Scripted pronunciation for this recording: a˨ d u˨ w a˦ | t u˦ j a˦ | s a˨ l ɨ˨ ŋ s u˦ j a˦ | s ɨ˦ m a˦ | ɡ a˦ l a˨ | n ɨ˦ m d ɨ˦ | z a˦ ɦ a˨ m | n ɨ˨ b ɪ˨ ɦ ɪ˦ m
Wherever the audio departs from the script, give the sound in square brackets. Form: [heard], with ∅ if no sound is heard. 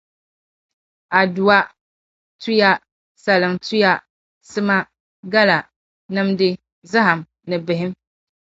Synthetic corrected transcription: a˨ d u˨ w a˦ | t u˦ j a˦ | s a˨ l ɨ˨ ŋ [t] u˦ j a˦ | s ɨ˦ m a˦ | ɡ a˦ l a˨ | n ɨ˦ m d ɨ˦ | z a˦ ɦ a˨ m | n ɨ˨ b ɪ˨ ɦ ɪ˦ m